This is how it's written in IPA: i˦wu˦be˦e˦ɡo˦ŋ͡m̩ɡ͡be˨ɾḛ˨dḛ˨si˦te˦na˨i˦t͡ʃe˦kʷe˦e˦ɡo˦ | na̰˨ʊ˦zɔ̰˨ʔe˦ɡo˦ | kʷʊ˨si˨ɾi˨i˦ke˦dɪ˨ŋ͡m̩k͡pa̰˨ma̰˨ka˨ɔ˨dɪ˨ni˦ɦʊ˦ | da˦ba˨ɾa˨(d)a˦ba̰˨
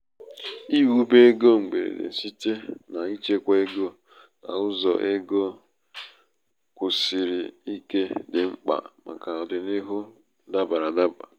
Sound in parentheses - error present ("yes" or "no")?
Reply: no